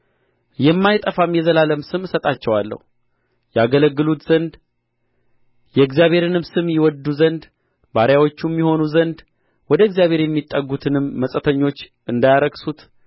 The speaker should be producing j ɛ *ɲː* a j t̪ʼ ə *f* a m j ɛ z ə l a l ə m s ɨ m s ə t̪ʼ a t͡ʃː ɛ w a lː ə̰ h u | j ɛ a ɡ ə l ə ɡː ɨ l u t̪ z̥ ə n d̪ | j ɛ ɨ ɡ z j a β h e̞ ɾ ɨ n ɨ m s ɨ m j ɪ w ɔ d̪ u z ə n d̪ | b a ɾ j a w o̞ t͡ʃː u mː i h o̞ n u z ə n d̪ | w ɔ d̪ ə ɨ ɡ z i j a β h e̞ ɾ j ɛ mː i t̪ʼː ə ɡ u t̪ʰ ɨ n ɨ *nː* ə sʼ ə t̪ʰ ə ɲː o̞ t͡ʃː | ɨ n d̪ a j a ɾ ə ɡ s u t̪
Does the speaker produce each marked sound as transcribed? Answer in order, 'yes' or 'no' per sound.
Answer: no, yes, no

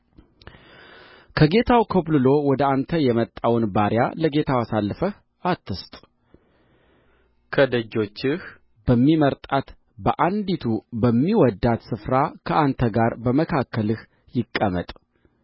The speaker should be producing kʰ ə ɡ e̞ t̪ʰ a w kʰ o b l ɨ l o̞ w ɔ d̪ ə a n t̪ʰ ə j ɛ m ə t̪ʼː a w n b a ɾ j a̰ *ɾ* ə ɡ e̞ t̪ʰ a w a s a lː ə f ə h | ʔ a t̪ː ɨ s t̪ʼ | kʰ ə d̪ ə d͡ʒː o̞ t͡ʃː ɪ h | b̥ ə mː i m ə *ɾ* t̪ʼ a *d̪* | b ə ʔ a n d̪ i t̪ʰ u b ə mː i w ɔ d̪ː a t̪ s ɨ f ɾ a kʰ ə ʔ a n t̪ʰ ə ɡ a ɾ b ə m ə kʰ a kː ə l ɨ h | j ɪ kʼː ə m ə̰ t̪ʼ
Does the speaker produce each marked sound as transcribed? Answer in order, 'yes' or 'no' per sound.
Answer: no, yes, no

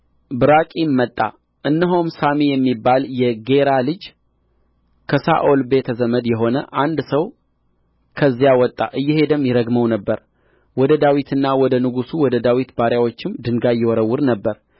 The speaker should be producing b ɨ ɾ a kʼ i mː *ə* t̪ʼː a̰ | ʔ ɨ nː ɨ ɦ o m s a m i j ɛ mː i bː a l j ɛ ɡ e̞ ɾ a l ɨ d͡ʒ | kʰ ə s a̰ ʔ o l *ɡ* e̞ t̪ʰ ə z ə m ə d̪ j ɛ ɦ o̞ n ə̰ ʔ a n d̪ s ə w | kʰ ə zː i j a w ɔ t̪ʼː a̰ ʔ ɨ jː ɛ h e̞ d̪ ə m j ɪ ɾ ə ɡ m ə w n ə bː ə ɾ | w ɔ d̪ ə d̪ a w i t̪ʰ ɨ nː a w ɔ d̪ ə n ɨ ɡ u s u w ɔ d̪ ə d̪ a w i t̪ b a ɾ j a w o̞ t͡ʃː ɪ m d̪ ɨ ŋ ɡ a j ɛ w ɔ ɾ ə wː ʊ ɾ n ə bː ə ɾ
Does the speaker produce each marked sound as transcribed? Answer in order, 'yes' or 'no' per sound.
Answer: yes, no

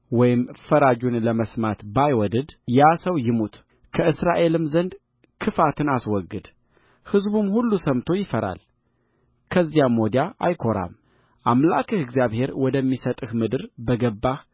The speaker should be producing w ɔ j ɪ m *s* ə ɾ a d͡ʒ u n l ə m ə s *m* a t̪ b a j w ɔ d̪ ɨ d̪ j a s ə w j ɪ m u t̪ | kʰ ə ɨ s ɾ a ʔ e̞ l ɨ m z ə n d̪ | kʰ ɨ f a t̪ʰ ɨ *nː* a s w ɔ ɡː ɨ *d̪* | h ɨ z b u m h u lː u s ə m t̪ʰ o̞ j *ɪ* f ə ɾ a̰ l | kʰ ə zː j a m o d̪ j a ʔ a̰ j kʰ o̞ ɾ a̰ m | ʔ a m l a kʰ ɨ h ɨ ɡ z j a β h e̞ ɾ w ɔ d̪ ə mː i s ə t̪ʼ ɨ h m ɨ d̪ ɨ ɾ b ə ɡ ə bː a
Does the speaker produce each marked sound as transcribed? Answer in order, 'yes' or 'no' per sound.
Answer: no, yes, no, yes, yes

